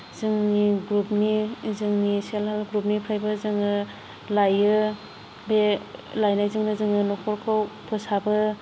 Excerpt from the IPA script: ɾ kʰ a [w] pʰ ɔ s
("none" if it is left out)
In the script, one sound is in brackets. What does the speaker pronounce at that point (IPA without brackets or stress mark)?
w